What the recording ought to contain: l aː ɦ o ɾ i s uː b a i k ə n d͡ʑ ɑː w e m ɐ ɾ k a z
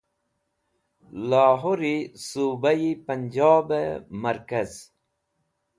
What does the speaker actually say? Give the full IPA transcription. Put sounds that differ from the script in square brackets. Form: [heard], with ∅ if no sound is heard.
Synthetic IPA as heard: l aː ɦ o ɾ i s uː b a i [p] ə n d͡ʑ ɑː [b] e m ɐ ɾ k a z